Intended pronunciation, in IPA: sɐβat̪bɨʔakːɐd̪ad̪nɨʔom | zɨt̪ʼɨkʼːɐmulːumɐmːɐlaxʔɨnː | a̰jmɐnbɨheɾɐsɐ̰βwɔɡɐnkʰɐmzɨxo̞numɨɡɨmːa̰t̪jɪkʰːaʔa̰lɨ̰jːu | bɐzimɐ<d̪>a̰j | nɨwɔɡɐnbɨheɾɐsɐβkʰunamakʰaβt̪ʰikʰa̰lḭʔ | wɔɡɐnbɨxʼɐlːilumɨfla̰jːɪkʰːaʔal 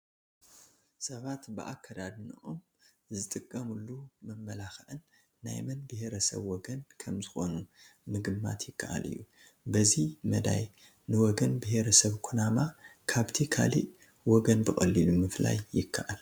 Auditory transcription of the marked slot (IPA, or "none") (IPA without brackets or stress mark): d̪